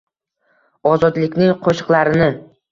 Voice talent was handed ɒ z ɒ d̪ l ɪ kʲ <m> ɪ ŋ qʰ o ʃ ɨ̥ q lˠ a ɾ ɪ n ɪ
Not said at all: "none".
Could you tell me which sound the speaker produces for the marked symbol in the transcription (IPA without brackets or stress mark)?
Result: n